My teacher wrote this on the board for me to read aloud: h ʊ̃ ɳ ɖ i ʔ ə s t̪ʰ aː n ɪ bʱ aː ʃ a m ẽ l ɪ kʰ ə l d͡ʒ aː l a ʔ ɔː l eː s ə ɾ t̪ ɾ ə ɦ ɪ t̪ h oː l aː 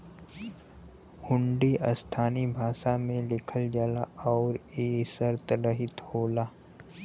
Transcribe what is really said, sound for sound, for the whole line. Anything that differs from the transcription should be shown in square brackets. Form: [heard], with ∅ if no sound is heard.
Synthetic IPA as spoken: h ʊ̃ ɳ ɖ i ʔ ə s t̪ʰ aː n [i] bʱ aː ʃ a m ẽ l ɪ kʰ ə l d͡ʒ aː l a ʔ ɔː [ɾ] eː s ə ɾ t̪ ɾ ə ɦ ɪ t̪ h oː l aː

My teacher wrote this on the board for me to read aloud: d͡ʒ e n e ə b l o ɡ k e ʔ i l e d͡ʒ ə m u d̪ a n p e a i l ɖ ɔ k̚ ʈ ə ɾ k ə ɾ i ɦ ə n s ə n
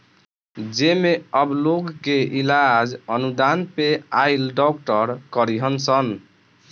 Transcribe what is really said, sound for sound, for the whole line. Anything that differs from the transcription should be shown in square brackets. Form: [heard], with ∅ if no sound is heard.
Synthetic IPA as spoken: d͡ʒ e [m] e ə b l o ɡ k e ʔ i l [a] d͡ʒ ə [n] u d̪ a n p e a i l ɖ ɔ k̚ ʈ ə ɾ k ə ɾ i ɦ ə n s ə n

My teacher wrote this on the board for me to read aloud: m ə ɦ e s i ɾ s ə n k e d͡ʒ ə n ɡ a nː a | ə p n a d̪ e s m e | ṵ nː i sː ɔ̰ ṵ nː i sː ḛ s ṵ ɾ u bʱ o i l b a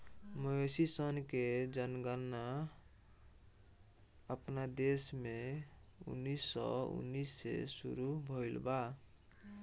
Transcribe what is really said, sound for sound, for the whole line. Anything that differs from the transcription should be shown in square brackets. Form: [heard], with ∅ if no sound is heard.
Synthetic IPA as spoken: m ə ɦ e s i [∅] s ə n k e d͡ʒ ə n ɡ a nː a | ə p n a d̪ e s m e | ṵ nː i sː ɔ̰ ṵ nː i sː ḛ s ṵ ɾ u bʱ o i l b a

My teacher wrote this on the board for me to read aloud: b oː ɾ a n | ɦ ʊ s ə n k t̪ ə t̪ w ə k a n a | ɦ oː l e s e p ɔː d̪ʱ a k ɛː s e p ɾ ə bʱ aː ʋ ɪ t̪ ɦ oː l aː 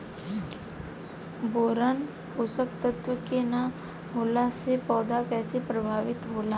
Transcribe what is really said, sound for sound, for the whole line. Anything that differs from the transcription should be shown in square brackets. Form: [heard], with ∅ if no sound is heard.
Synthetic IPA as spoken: b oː ɾ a n | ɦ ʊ s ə [∅] k t̪ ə t̪ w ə k [e] n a | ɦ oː l [a] s e p ɔː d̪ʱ a k ɛː s e p ɾ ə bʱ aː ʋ ɪ t̪ ɦ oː l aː

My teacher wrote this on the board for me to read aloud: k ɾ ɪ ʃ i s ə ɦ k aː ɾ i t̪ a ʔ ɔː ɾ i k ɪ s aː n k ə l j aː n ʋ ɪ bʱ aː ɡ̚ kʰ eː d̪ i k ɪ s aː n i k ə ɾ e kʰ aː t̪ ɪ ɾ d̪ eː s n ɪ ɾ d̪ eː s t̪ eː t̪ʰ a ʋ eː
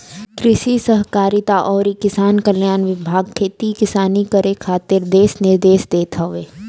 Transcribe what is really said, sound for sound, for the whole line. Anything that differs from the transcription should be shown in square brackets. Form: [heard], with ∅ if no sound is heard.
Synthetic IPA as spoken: k ɾ ɪ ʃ i s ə ɦ k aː ɾ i t̪ a ʔ ɔː ɾ i k ɪ s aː n k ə l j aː n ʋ ɪ bʱ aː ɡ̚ kʰ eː [t̪] i k ɪ s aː n i k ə ɾ e kʰ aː t̪ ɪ ɾ d̪ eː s n ɪ ɾ d̪ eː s [d̪] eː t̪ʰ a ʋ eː

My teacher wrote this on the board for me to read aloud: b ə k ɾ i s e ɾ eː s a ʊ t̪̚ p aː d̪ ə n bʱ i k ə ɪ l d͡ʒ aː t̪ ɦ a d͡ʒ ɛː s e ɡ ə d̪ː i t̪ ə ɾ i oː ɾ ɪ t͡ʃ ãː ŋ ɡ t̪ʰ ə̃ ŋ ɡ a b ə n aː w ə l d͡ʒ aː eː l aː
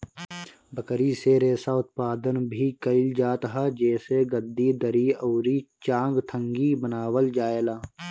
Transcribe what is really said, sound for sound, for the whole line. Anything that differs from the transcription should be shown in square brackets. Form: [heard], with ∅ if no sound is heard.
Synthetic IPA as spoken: b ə k ɾ i s e ɾ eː s a ʊ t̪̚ p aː d̪ ə n bʱ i k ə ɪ l d͡ʒ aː t̪ ɦ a d͡ʒ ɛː s e ɡ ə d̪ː i [d̪] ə ɾ i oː ɾ [i] t͡ʃ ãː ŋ ɡ t̪ʰ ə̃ ŋ ɡ [i] b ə n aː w ə l d͡ʒ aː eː l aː

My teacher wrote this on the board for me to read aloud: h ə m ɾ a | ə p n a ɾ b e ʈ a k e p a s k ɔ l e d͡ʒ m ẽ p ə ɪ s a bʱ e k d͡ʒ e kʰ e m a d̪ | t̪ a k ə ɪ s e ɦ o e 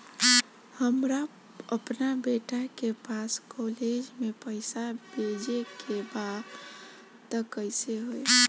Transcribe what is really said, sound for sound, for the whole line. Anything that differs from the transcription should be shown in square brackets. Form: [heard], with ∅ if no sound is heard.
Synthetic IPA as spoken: h ə m ɾ a | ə p n a [∅] b e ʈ a k e p a s k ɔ l e d͡ʒ m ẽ p ə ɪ s a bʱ e [∅] d͡ʒ e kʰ e [b] a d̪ | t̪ [ə] k ə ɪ s e ɦ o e

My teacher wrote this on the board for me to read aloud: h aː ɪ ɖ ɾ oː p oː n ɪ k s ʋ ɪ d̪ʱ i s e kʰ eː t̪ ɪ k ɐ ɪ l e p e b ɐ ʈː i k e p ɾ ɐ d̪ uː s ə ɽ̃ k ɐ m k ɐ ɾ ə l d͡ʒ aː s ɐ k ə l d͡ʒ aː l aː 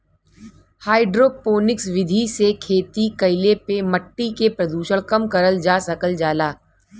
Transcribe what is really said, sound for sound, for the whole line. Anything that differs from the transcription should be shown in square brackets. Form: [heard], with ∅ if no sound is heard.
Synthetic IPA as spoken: h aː ɪ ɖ ɾ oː p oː n ɪ k s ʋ ɪ d̪ʱ i s e kʰ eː t̪ [i] k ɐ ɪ l e p e [m] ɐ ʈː i k e p ɾ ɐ d̪ uː [ʃ] ə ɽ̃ k ɐ m k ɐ ɾ ə l d͡ʒ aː s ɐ k ə l d͡ʒ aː l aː

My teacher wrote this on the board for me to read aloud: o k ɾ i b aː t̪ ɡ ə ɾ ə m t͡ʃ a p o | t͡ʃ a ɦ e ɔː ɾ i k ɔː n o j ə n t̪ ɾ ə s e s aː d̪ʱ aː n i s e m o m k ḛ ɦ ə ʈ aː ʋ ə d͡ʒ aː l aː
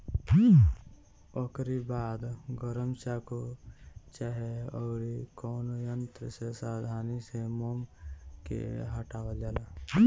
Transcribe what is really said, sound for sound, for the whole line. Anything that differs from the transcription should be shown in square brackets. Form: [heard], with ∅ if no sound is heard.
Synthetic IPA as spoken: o k ɾ i b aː [d̪] ɡ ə ɾ ə m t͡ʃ a [k] o | t͡ʃ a ɦ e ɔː ɾ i k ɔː n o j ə n t̪ ɾ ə s e s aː d̪ʱ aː n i s e m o m k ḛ ɦ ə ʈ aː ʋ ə d͡ʒ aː l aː

